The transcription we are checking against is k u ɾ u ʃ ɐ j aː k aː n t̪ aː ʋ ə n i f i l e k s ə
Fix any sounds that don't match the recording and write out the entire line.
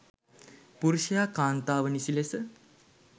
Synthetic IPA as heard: p u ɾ u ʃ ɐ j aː k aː n t̪ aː ʋ ə n i s i l e s ə